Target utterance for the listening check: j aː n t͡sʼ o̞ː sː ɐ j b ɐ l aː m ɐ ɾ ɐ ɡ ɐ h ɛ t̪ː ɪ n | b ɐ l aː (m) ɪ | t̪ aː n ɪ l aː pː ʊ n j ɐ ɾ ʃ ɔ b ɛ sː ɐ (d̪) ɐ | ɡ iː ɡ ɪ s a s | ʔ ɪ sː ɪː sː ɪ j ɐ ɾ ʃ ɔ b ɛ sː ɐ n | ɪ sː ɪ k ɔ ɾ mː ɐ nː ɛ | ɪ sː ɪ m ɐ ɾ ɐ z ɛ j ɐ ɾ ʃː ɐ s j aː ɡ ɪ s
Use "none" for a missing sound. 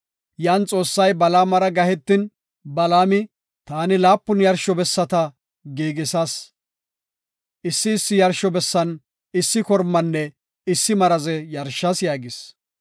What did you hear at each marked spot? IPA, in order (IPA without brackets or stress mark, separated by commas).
m, t̪